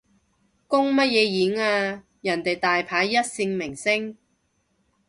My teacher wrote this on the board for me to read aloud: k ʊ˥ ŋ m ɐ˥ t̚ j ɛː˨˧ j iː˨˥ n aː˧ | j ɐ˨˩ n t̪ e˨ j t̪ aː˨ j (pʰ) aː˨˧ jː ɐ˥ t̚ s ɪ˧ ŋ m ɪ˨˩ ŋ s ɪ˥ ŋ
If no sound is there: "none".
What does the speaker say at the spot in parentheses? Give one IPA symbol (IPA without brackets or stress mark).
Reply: pʰ